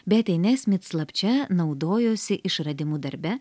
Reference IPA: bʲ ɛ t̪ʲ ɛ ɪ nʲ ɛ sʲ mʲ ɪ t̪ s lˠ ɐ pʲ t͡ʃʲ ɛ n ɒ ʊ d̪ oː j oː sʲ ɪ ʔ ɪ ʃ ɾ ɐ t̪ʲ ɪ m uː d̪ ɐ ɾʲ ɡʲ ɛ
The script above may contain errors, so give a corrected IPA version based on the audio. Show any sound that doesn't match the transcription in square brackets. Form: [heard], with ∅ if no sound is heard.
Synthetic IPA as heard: bʲ ɛ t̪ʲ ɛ ɪ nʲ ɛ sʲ mʲ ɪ t̪ s lˠ ɐ pʲ t͡ʃʲ ɛ n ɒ ʊ d̪ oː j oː sʲ ɪ ʔ ɪ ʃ ɾ ɐ [d̪ʲ] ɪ m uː d̪ ɐ ɾʲ [bʲ] ɛ